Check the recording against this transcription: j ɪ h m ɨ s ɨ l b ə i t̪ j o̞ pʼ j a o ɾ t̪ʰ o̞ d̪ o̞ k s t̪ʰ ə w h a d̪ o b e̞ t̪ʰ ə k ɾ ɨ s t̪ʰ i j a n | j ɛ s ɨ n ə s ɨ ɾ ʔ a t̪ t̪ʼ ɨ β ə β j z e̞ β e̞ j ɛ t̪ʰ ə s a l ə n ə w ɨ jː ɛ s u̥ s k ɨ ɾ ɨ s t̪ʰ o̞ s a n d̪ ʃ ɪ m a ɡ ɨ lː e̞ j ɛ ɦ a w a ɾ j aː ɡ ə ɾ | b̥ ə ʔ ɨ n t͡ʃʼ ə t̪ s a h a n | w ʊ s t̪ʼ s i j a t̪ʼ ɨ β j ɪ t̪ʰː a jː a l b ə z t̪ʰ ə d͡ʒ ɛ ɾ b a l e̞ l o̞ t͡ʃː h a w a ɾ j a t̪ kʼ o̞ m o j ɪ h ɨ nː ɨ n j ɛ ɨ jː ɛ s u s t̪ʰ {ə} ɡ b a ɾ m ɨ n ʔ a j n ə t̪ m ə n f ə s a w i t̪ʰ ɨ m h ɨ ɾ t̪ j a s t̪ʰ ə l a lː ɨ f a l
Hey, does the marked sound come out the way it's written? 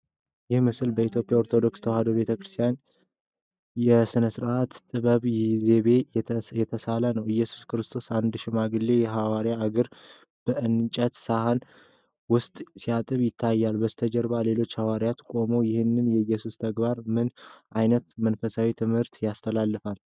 yes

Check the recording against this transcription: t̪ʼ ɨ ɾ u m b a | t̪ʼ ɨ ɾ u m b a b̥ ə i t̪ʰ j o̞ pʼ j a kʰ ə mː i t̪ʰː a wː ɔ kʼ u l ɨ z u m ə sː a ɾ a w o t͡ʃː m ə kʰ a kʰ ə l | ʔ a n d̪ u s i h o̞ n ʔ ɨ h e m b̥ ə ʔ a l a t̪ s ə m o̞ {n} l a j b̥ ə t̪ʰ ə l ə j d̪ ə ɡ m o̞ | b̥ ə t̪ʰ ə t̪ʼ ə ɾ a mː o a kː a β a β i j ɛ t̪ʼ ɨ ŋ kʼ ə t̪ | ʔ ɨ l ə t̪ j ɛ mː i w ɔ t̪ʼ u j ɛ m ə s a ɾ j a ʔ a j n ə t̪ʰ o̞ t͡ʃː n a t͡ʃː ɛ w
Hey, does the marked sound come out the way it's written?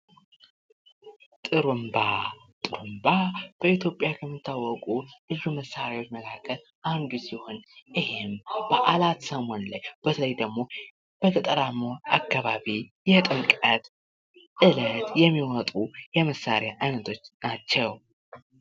yes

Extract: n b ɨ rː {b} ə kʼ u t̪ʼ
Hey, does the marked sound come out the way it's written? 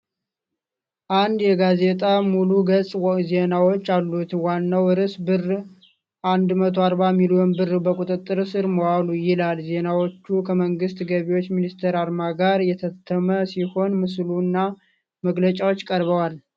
yes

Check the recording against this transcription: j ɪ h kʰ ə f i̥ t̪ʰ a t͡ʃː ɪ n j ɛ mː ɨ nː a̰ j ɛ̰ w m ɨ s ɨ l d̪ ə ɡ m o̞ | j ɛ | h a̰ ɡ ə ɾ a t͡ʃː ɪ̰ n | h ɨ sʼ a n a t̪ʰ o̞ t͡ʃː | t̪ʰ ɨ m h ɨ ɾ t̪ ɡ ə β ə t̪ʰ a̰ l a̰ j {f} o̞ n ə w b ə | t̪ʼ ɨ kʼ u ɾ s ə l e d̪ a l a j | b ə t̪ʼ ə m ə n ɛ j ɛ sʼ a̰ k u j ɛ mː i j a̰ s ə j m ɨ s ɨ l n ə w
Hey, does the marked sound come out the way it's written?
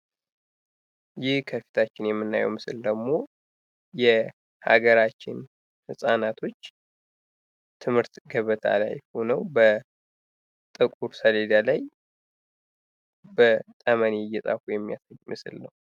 no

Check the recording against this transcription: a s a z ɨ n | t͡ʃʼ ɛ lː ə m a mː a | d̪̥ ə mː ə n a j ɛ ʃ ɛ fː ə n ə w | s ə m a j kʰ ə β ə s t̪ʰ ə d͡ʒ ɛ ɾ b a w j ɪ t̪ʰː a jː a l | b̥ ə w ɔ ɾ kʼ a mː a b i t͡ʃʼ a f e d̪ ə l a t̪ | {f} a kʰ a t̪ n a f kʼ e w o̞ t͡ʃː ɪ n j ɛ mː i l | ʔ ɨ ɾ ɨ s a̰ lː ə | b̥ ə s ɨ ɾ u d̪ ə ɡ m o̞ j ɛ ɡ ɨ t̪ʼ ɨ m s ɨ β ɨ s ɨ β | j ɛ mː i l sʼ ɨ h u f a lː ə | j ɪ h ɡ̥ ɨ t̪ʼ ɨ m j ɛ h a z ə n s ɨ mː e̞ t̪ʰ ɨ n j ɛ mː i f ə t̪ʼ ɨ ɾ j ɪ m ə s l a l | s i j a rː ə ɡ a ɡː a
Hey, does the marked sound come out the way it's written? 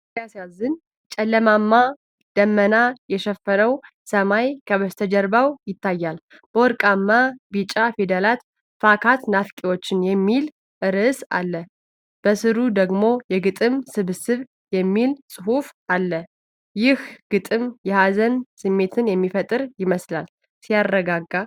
yes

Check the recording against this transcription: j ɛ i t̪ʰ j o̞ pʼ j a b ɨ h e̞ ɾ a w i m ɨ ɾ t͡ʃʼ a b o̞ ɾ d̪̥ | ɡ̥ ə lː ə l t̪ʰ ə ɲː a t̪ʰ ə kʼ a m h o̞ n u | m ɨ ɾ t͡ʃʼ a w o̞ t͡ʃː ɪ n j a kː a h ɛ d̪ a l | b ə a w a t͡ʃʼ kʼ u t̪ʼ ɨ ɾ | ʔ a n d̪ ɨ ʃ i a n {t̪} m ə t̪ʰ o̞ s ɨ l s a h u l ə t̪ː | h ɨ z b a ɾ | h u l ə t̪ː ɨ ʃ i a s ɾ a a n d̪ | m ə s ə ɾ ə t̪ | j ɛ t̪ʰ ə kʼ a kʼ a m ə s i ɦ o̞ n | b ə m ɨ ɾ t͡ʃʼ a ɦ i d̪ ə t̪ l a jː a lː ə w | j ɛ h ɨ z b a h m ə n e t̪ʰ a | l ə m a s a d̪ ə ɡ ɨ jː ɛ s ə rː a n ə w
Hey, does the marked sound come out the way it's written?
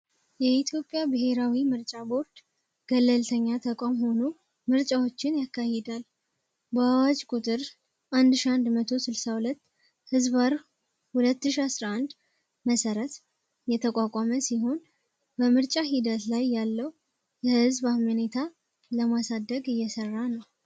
no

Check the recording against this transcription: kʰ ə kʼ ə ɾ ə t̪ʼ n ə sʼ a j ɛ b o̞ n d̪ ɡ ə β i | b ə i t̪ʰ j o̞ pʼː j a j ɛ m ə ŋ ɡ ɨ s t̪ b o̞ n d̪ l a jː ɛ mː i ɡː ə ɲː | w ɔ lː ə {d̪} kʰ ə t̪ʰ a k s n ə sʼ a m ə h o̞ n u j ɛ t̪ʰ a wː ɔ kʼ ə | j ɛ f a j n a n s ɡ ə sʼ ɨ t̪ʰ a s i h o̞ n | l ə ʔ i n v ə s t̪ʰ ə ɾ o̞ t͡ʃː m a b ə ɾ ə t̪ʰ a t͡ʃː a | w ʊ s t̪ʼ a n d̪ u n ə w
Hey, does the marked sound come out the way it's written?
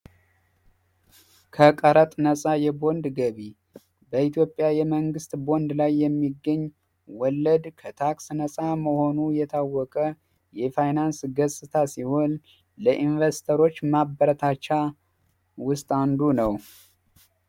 yes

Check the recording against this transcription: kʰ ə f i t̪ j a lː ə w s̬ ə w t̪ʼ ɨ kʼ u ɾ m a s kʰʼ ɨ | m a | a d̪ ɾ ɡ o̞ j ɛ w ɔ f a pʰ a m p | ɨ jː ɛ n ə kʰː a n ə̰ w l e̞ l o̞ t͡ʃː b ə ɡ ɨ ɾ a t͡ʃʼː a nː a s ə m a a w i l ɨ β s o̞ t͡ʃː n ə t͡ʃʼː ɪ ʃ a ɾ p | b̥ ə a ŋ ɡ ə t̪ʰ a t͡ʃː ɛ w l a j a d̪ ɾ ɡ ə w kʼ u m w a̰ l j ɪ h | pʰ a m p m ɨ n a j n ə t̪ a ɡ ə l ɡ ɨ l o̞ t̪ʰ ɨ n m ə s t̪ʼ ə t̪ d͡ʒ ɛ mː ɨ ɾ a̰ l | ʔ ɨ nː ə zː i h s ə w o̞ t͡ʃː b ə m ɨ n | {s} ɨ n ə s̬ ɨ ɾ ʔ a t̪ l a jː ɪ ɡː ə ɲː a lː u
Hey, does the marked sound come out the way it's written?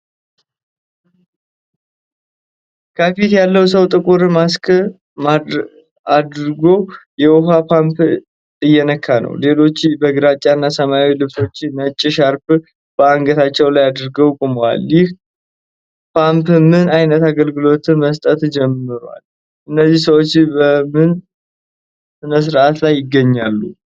yes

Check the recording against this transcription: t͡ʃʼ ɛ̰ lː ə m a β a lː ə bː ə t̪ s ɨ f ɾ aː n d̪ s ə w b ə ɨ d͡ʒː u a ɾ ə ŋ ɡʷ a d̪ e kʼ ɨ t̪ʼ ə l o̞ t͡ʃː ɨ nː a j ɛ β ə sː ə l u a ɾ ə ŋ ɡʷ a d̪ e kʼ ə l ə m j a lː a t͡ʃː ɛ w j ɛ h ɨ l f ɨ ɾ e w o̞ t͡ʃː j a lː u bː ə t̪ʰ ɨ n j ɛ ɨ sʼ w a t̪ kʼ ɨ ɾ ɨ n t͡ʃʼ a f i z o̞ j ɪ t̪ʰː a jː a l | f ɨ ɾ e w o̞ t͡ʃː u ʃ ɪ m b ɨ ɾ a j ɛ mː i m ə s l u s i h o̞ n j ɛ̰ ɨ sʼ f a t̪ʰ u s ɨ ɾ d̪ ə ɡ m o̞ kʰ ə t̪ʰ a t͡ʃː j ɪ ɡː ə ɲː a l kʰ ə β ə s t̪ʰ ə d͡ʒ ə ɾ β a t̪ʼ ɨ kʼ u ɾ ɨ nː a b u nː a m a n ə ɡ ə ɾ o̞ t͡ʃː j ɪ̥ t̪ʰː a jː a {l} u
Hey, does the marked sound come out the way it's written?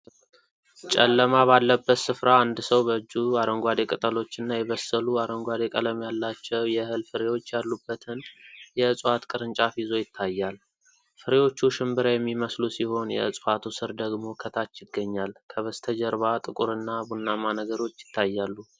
no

